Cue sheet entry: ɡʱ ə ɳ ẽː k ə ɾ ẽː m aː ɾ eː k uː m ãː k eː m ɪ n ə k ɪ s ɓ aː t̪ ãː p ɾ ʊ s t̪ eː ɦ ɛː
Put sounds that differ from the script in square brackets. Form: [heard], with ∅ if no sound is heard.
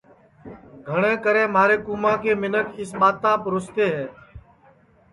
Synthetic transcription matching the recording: ɡʱ ə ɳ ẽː k ə ɾ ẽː m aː ɾ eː k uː m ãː k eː m ɪ n ə k ɪ s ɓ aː t̪ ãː p ɾ ʊ s t̪ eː ɦ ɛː